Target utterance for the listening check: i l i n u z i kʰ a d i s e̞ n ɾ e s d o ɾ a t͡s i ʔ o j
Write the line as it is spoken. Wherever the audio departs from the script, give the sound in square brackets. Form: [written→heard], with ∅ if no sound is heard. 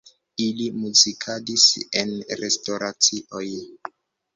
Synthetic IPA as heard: i l i [n→m] u z i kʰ a d i s e̞ n ɾ e s [d→t] o ɾ a t͡s i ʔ o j